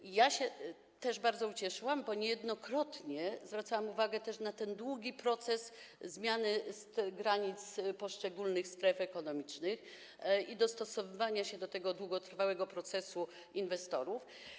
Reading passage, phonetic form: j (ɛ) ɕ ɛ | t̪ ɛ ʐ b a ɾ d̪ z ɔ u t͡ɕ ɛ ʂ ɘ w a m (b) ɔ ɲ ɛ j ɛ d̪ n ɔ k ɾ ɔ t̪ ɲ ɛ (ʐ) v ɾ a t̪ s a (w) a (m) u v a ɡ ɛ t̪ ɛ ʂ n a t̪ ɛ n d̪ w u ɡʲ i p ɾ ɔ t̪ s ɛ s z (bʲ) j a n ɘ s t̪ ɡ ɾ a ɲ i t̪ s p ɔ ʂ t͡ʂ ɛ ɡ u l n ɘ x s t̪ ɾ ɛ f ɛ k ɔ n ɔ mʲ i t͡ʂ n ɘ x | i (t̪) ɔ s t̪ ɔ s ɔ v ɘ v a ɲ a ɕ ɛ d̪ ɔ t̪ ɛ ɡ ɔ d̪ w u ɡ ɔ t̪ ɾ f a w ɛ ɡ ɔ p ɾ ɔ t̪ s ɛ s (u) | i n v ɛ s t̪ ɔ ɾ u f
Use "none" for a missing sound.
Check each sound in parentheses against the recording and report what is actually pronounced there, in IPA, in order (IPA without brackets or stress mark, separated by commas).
a, b, z, w, m, mʲ, d̪, u